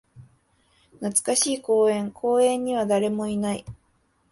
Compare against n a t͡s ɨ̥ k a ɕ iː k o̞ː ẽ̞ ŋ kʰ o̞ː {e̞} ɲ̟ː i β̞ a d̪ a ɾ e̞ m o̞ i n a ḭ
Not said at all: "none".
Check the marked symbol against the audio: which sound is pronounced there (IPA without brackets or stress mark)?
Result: ẽ̞